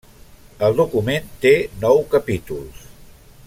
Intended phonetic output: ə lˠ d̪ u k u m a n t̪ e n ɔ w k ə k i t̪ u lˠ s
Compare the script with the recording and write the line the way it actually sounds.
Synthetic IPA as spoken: ə lˠ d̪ u k u m e n t̪ e n ɔ w k ə p i t̪ u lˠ s